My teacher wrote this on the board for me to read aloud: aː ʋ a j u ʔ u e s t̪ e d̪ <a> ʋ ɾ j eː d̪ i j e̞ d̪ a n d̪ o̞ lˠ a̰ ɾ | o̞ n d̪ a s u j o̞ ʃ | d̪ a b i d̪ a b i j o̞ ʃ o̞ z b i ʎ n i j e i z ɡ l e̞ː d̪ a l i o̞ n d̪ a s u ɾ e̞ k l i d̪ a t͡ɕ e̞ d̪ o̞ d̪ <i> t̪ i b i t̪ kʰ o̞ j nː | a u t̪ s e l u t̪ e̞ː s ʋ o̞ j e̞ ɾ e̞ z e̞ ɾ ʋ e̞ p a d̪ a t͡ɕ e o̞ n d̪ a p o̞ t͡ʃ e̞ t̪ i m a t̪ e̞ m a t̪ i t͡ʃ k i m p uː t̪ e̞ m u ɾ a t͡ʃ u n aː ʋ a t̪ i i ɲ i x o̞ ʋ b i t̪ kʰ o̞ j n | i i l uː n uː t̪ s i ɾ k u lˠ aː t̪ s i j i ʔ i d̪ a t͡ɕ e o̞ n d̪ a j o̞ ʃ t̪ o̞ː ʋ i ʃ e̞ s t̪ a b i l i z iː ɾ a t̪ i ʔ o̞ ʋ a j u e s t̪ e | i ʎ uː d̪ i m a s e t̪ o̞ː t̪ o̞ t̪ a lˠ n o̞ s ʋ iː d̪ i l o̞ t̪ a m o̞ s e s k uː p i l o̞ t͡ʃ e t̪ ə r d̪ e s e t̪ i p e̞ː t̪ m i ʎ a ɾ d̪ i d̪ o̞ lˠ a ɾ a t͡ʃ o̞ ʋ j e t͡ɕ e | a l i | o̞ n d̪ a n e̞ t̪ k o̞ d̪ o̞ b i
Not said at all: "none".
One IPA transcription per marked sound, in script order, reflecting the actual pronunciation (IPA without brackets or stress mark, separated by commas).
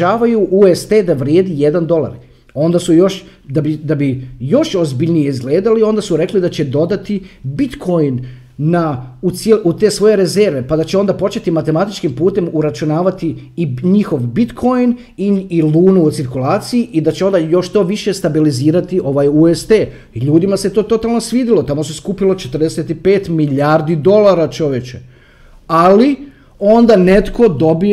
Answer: a, a